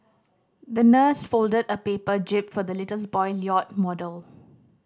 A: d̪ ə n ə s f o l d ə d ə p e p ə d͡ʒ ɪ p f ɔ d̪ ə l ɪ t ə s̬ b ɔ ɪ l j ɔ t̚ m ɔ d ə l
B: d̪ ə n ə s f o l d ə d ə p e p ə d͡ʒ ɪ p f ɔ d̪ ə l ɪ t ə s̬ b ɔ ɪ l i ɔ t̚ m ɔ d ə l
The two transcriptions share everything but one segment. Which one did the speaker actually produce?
A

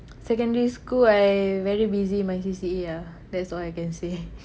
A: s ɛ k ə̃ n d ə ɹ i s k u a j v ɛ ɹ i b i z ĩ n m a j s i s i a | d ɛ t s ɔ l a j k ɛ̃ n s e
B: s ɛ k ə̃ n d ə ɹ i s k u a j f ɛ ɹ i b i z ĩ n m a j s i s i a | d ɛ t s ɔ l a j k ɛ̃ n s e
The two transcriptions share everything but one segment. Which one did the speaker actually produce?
A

